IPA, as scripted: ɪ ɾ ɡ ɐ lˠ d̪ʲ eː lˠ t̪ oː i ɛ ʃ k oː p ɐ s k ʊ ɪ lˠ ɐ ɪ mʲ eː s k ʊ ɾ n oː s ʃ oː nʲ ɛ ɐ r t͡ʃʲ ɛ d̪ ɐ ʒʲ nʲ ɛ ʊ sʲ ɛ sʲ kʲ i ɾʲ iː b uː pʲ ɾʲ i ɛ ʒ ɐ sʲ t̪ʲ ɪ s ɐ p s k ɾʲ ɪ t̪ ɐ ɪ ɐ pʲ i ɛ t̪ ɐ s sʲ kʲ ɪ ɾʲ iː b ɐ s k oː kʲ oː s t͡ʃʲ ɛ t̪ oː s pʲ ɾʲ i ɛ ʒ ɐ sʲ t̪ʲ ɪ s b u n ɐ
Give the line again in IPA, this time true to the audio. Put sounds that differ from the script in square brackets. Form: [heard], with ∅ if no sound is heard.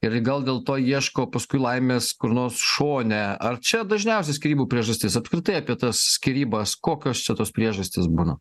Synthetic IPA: ɪ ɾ ɡ ɐ lˠ d̪ʲ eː lˠ t̪ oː i ɛ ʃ k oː p ɐ s k ʊ ɪ lˠ ɐ ɪ mʲ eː s k ʊ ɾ n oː s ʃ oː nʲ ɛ ɐ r t͡ʃʲ ɛ d̪ ɐ ʒʲ nʲ ɛ ʊ sʲ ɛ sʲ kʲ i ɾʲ iː b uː pʲ ɾʲ i ɛ ʒ ɐ sʲ t̪ʲ ɪ s ɐ p s k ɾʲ ɪ t̪ ɐ ɪ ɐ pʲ i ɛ t̪ ɐ s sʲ kʲ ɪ ɾʲ iː b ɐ s k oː kʲ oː s t͡ʃʲ ɛ t̪ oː s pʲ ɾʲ i ɛ ʒ ɐ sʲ t̪ʲ ɪ s b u n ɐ